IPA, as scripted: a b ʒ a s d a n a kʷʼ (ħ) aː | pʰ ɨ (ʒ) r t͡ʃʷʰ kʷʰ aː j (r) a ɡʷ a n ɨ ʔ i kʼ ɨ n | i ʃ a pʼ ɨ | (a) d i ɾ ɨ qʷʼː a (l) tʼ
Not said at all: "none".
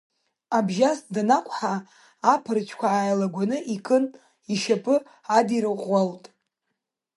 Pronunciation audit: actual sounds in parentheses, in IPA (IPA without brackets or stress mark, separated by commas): ħ, none, l, a, l